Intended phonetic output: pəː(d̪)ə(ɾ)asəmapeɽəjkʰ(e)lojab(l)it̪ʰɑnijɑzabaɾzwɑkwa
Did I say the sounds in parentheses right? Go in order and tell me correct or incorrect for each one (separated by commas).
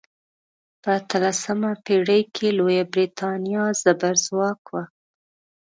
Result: incorrect, incorrect, correct, incorrect